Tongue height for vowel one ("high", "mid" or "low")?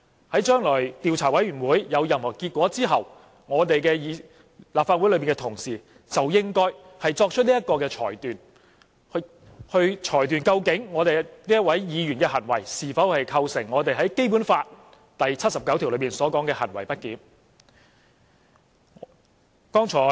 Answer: low